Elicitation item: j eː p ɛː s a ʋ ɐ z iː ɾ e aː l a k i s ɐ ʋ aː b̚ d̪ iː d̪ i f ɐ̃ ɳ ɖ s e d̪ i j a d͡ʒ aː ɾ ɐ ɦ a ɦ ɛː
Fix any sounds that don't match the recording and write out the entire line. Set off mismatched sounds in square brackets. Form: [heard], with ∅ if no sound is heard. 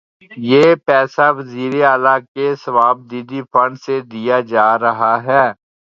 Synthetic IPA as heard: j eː p ɛː s a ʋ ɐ z iː ɾ e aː l a k [e] s ɐ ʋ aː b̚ d̪ iː d̪ i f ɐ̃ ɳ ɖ s e d̪ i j a d͡ʒ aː ɾ ɐ ɦ a ɦ ɛː